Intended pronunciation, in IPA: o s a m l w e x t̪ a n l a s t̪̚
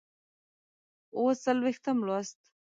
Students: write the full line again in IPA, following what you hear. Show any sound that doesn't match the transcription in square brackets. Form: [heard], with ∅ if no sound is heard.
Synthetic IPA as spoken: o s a [∅] l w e x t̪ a [m] l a s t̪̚